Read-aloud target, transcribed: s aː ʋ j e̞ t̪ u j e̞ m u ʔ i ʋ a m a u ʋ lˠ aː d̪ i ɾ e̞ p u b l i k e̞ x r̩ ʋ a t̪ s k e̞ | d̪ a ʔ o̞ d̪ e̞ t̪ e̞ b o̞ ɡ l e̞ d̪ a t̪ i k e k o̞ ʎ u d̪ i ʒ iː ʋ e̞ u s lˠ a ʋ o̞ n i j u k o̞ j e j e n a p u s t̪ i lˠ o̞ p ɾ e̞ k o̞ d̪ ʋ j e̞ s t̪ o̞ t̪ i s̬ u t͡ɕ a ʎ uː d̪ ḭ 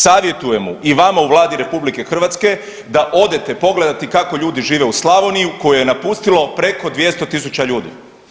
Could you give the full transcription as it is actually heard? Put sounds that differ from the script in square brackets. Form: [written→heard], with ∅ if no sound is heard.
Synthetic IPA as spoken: s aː ʋ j e̞ t̪ u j e̞ m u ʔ i ʋ a m a u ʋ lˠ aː d̪ i ɾ e̞ p u b l i k e̞ x r̩ ʋ a t̪ s k e̞ | d̪ a ʔ o̞ d̪ e̞ t̪ e̞ [b→p] o̞ ɡ l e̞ d̪ a t̪ i k [e→a] k o̞ ʎ [u→uː] d̪ i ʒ iː ʋ e̞ u s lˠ a ʋ o̞ n i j u k o̞ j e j e n a p u s t̪ i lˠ o̞ p ɾ e̞ k o̞ d̪ ʋ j e̞ s t̪ o̞ t̪ i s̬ u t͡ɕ a ʎ uː d̪ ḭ